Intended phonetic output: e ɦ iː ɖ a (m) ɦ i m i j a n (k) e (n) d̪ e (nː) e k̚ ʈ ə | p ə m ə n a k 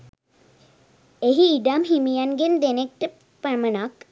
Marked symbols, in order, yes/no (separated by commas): yes, no, yes, no